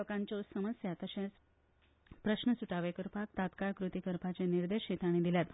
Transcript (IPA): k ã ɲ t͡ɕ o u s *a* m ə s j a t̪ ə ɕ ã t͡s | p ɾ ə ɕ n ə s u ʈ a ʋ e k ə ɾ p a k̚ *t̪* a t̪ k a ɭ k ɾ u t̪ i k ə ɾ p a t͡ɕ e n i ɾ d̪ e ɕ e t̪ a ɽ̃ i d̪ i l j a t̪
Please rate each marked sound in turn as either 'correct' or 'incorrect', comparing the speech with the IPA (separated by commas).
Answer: incorrect, correct